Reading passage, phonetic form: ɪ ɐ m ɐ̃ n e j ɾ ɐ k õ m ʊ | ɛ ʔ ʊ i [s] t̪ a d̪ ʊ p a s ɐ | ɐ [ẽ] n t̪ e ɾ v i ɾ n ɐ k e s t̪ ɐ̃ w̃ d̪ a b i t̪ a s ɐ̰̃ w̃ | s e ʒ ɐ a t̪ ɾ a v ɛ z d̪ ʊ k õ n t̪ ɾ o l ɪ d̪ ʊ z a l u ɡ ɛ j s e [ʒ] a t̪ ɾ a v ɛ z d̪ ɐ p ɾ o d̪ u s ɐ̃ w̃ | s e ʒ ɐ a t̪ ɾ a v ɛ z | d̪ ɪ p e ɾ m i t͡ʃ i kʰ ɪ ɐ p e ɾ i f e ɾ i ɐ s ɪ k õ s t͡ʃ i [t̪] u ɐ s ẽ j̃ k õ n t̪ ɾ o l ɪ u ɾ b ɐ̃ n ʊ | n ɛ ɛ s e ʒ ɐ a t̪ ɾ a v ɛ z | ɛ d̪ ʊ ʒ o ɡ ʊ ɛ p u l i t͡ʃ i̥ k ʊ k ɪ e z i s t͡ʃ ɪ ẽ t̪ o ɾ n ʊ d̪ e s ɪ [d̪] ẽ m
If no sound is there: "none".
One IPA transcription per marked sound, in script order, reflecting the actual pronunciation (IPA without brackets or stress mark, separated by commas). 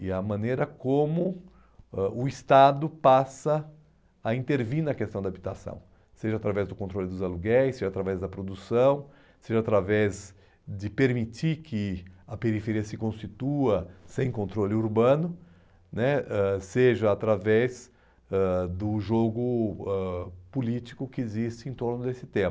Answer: s, ĩ, ʒ, t̪, t̪